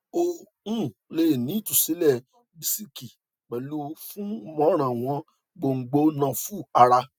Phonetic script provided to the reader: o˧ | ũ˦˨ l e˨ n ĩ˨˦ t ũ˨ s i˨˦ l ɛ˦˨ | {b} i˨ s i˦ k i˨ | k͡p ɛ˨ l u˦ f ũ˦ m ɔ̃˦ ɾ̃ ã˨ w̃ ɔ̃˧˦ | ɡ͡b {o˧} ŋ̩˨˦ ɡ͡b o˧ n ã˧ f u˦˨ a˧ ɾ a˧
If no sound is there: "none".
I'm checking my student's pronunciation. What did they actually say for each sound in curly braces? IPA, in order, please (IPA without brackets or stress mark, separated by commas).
b, o˧